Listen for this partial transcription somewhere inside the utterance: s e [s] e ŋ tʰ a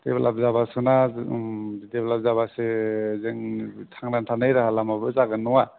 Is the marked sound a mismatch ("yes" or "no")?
yes